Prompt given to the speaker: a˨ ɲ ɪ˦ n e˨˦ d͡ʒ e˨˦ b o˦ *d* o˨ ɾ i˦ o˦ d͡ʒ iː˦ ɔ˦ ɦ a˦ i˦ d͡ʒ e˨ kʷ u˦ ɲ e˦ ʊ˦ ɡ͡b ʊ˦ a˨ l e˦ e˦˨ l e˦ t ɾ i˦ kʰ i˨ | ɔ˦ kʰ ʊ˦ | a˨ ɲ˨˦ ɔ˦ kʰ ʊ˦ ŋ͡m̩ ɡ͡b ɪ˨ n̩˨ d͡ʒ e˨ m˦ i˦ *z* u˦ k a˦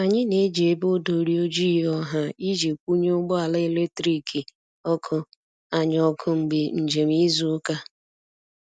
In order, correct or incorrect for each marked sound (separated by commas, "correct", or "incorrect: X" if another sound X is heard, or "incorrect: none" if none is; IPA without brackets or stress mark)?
correct, correct